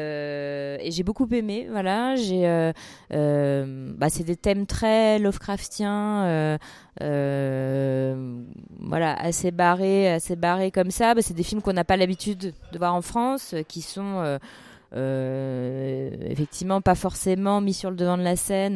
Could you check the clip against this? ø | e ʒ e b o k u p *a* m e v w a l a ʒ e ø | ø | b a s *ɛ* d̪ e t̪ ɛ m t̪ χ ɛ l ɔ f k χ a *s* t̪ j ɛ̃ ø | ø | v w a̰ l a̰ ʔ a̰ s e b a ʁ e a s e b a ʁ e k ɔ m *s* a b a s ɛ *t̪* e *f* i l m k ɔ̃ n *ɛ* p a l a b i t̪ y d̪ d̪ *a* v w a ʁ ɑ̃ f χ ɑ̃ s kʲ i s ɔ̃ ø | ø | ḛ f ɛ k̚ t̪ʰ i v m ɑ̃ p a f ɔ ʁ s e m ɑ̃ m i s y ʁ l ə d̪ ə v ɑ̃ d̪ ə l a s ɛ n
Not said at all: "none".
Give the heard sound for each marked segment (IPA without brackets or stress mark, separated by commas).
e, ɛ, f, s, d̪, f, a, ə